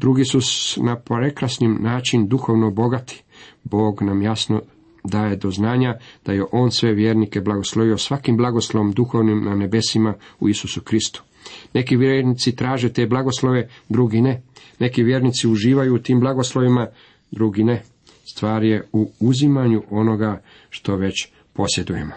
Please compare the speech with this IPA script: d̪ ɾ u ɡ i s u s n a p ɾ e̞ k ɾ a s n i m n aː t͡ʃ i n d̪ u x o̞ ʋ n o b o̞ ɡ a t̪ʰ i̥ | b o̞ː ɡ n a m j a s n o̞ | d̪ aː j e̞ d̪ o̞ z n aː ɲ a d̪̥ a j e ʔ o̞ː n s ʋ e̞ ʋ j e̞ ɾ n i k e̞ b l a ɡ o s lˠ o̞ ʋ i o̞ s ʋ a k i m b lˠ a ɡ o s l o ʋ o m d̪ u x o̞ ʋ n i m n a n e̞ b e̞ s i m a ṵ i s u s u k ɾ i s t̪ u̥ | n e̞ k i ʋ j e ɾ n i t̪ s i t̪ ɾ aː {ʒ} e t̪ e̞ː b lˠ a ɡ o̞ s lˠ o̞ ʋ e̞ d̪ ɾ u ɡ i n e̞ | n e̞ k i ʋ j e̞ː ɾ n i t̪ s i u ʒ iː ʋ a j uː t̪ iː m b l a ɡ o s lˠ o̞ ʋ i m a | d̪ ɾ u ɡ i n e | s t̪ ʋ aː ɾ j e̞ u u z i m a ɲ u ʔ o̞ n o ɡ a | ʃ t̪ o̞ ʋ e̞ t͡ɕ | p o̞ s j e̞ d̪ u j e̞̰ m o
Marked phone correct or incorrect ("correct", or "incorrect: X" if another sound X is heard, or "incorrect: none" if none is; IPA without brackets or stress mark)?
correct